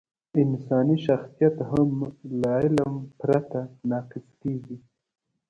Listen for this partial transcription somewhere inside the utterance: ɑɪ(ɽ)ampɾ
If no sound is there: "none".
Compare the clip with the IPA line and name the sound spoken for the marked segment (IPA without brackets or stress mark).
l